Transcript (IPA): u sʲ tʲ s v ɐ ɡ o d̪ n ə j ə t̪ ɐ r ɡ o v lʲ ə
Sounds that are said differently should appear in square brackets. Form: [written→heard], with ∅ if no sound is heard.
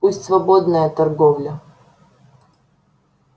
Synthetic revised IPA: u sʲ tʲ s v ɐ [ɡ→b] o d̪ n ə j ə t̪ ɐ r ɡ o v lʲ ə